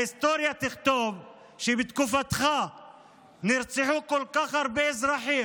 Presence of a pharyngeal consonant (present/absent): present